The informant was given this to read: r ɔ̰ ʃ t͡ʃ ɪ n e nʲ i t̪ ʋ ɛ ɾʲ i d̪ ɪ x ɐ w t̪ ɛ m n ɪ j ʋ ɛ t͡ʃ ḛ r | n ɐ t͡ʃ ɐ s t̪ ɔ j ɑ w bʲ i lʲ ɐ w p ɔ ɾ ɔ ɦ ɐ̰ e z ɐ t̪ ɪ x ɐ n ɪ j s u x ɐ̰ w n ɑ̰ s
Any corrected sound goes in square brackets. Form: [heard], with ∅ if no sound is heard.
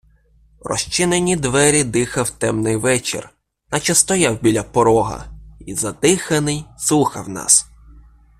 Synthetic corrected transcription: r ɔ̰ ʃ t͡ʃ ɪ n e nʲ i [d̪] ʋ ɛ ɾʲ i d̪ ɪ x ɐ w t̪ ɛ m n ɪ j ʋ ɛ t͡ʃ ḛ r | n ɐ t͡ʃ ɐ s t̪ ɔ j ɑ w bʲ i lʲ ɐ [∅] p ɔ ɾ ɔ ɦ ɐ̰ [i] z ɐ [d̪] ɪ x ɐ n ɪ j s u x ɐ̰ w n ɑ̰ s